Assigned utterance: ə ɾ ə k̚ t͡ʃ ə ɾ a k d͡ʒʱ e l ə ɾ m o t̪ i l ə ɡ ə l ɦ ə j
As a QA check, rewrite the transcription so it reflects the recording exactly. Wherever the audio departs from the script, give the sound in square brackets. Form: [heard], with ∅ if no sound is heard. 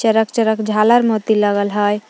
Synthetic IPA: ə ɾ ə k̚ t͡ʃ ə ɾ [ə] k d͡ʒʱ [a] l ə ɾ m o t̪ i l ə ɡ ə l ɦ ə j